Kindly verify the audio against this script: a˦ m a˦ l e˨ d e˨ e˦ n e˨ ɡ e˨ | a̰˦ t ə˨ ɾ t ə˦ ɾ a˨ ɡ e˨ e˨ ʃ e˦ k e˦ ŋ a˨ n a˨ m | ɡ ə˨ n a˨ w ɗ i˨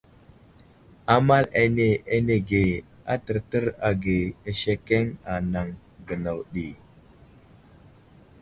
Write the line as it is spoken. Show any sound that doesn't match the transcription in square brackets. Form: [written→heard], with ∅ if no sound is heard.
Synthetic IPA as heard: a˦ m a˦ l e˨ [d→n] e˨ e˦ n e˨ ɡ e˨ | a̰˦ t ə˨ ɾ t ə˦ ɾ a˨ ɡ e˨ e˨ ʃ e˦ k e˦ ŋ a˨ n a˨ [m→ŋ] | ɡ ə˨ n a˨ w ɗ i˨